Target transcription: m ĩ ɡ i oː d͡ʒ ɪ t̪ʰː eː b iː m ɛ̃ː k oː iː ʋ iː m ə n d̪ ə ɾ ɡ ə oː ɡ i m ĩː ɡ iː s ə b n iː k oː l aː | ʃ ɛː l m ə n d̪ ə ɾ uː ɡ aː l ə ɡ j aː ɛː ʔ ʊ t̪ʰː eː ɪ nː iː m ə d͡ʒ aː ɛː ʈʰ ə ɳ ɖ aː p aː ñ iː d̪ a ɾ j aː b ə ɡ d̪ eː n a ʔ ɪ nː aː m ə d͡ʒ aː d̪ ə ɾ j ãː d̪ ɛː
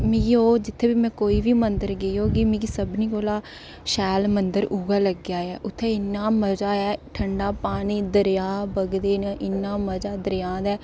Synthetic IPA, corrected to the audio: m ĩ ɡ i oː d͡ʒ ɪ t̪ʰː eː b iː m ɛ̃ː k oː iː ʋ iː m ə n d̪ ə ɾ ɡ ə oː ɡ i m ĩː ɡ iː s ə b n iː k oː l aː | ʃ ɛː l m ə n d̪ ə ɾ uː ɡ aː l ə ɡ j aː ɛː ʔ ʊ t̪ʰː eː ɪ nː aː m ə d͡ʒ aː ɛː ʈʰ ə ɳ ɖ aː p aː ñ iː d̪ ə ɾ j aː b ə ɡ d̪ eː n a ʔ ɪ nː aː m ə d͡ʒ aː d̪ ə ɾ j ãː d̪ ɛː

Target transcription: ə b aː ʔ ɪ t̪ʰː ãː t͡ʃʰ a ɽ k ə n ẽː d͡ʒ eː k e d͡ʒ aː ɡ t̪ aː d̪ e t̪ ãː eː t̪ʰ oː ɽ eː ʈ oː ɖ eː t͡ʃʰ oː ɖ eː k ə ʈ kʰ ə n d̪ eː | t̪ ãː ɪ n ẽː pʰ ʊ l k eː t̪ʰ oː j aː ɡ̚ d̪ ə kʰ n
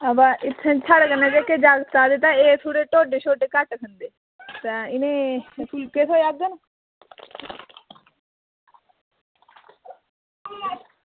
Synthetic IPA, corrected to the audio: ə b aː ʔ ɪ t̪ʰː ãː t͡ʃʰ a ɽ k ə n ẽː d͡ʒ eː k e d͡ʒ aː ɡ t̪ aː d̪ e t̪ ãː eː t̪ʰ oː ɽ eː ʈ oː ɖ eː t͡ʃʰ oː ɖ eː k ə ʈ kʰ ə n d̪ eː | t̪ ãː ɪ n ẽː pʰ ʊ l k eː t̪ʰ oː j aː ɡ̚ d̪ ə n

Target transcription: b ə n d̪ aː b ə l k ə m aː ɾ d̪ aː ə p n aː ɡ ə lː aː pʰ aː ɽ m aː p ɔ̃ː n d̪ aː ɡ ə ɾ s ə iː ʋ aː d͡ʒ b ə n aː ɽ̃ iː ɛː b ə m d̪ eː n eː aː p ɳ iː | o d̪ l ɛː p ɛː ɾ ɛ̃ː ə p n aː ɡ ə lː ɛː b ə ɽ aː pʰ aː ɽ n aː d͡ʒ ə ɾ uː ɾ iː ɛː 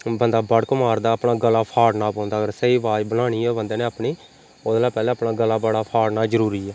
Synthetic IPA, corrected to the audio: b ə n d̪ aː b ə ɽ k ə m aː ɾ d̪ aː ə p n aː ɡ ə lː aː pʰ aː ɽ n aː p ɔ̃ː n d̪ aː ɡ ə ɾ s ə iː ʋ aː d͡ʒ b ə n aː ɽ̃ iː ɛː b ə n d̪ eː n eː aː p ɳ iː | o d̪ l aː p ɛː l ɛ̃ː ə p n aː ɡ ə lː aː b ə ɽ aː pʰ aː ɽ n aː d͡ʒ ə ɾ uː ɾ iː ɛː

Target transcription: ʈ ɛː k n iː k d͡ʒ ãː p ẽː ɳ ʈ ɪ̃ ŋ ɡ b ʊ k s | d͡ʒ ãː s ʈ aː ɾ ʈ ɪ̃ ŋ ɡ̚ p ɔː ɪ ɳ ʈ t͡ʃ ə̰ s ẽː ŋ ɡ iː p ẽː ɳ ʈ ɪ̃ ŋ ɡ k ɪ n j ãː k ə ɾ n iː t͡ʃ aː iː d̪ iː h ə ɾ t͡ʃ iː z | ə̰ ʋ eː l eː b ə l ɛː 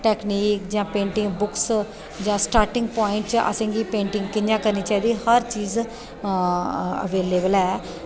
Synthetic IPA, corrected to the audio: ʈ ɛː k n iː k d͡ʒ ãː p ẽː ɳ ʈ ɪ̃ ŋ ɡ b ʊ k s | d͡ʒ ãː s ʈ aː ɾ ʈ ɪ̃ ŋ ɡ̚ p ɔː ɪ ɳ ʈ t͡ʃ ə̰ s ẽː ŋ ɡ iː p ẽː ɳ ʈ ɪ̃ ŋ ɡ k ɪ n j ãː k ə ɾ n iː t͡ʃ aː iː d̪ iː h ə ɾ t͡ʃ iː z | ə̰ ʋ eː l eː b ə l ɛː

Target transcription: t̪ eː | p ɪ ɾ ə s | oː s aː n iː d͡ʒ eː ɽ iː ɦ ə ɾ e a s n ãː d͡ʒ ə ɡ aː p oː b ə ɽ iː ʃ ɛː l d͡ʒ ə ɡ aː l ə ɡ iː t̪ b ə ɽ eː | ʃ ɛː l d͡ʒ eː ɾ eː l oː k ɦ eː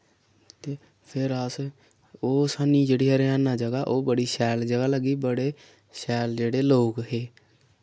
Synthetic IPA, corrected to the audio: t̪ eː | pʰ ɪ ɾ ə s | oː s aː n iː d͡ʒ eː ɽ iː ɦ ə ɾ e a n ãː d͡ʒ ə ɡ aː ʔ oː b ə ɽ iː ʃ ɛː l d͡ʒ ə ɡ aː l ə ɡ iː b ə ɽ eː | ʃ ɛː l d͡ʒ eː ɽ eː l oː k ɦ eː

